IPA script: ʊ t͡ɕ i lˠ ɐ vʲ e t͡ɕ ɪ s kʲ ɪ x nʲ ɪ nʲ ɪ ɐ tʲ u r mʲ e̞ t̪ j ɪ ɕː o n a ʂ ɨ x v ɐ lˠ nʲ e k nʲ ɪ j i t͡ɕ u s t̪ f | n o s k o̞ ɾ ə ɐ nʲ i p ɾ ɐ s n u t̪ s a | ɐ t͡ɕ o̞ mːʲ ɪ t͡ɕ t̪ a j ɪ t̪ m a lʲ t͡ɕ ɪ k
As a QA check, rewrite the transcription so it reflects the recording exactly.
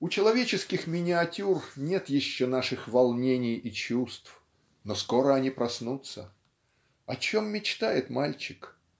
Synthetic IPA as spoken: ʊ t͡ɕ ɪ lˠ ɐ vʲ e t͡ɕ ɪ s kʲ ɪ x mʲ ɪ nʲ ɪ ɐ tʲ u r nʲ e̞ t̪ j ɪ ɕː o n a ʂ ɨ x v ɐ lˠ nʲ e nʲ ɪ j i t͡ɕ u s t̪ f | n o s k o̞ ɾ ə ɐ nʲ i p ɾ ɐ s n u t̪ s ə | ɐ t͡ɕ o̞ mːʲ ɪ t͡ɕ t̪ a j ɪ t̪ m a lʲ t͡ɕ ɪ k